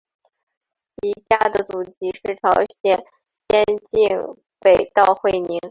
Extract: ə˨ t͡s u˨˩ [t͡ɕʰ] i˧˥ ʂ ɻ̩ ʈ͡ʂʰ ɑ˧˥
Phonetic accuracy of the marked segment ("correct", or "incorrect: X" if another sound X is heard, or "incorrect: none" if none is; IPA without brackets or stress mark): incorrect: t͡ɕ